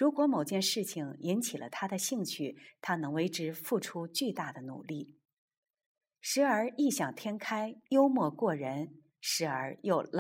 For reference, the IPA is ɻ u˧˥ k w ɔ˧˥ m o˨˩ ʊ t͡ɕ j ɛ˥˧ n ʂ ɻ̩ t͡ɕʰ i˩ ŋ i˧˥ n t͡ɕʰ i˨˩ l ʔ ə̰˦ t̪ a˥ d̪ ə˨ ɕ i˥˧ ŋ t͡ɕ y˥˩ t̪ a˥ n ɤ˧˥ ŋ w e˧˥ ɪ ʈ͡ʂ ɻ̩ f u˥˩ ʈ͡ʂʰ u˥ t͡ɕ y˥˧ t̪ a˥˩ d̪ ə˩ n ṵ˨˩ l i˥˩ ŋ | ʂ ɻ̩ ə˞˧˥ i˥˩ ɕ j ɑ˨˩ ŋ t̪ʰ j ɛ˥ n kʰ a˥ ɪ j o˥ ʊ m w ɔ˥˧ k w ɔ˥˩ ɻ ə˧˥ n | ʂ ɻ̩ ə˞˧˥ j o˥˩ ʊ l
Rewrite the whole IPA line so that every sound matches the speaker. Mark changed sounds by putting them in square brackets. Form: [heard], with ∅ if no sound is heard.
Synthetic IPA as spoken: ɻ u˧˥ k w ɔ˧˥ m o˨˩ ʊ t͡ɕ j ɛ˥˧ n ʂ ɻ̩ t͡ɕʰ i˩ ŋ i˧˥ n t͡ɕʰ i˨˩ l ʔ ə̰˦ [t̪ʰ] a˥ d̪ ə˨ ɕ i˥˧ ŋ [t͡ɕʰ] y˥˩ [t̪ʰ] a˥ n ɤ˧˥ ŋ w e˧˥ ɪ ʈ͡ʂ ɻ̩ f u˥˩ ʈ͡ʂʰ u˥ t͡ɕ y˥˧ t̪ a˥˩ d̪ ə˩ n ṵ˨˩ l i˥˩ [∅] | ʂ ɻ̩ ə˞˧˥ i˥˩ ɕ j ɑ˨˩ ŋ t̪ʰ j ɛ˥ n kʰ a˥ ɪ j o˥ ʊ m w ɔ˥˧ k w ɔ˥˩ ɻ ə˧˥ n | ʂ ɻ̩ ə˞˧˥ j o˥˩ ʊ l